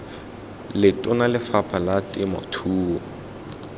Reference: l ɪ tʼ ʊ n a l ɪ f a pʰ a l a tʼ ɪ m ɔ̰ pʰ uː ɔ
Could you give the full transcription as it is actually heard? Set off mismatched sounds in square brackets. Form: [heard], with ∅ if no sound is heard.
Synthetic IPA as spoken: l ɪ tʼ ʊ n a l ɪ f a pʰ a l a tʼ ɪ m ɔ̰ [tʰ] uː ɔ

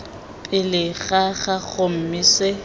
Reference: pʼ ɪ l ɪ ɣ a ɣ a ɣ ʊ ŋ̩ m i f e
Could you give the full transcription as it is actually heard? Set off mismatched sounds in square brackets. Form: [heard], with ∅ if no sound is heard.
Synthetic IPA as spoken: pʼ ɪ l ɪ ɣ a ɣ a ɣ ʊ [m̩] m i [s] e

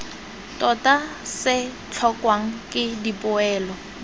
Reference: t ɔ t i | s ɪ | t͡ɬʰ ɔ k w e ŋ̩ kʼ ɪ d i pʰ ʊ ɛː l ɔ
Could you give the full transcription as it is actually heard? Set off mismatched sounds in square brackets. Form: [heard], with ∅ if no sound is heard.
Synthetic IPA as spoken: t ɔ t [a] | s ɪ | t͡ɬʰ ɔ k w [a] ŋ̩ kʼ ɪ d i [p] ʊ ɛː l ɔ

